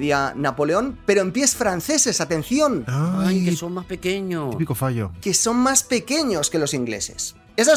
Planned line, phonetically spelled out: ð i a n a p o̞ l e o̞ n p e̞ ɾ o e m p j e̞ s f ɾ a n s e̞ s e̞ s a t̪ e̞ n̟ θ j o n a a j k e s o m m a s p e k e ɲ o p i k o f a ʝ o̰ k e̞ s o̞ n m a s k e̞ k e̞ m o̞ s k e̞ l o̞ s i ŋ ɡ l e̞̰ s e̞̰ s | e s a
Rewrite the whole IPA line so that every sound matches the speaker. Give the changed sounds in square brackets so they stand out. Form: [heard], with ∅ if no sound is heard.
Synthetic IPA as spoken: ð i a n a p o̞ l e o̞ n p e̞ ɾ o e m p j e̞ s f ɾ a n [θ] e̞ s e̞ s a t̪ e̞ n̟ θ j o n a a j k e s o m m a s p e k e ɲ o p i k o f a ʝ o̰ k e̞ s o̞ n m a s [p] e̞ k e̞ [ɲ] o̞ s k e̞ l o̞ s i ŋ ɡ l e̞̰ s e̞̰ s | e s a